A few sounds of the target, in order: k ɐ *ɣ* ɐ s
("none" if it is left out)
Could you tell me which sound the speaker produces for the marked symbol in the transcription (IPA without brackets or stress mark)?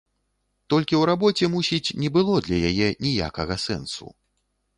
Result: ɣ